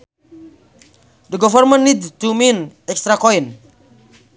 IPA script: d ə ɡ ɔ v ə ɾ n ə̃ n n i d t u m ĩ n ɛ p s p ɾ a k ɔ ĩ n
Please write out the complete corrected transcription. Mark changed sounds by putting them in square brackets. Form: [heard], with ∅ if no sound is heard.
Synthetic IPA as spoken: d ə ɡ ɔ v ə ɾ [m] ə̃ n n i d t u m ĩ n ɛ [k] s [t] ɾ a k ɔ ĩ n